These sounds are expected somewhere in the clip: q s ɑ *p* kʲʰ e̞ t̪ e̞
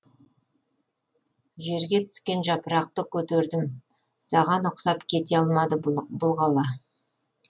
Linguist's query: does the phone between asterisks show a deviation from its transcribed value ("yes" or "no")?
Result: no